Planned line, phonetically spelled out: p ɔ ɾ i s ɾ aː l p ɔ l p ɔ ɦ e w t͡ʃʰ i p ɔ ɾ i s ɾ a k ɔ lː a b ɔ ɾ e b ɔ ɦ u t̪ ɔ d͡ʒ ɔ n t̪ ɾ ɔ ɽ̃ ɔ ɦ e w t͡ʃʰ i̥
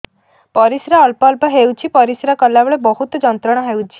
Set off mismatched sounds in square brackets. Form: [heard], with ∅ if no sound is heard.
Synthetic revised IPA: p ɔ ɾ i s ɾ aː l p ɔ l p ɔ ɦ e w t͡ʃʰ i p ɔ ɾ i s ɾ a k ɔ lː a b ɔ [ɭ] e b ɔ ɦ u t̪ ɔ d͡ʒ ɔ n t̪ ɾ ɔ ɽ̃ ɔ ɦ e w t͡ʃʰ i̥